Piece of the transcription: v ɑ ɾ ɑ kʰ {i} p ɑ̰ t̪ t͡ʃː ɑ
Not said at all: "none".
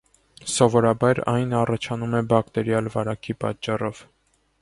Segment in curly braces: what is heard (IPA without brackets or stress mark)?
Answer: i